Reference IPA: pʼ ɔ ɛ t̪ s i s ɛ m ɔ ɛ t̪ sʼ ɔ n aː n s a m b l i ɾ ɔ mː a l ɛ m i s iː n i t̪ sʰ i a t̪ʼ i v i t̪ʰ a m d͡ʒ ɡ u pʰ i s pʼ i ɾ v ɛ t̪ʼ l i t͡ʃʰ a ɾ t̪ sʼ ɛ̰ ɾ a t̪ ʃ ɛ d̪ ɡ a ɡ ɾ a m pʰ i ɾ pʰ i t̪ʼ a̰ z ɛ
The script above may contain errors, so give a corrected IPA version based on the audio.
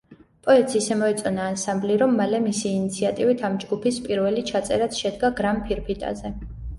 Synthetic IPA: pʼ ɔ ɛ t̪ s i s ɛ m ɔ ɛ t̪ sʼ ɔ n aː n s a m b l i ɾ ɔ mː a l ɛ m i s iː n i t̪ sʰ i a t̪ʼ i v i t̪ʰ a m d͡ʒ ɡ u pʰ i s pʼ i ɾ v ɛ l i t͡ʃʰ a t̪ sʼ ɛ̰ ɾ a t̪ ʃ ɛ d̪ ɡ a ɡ ɾ a m pʰ i ɾ pʰ i t̪ʼ a̰ z ɛ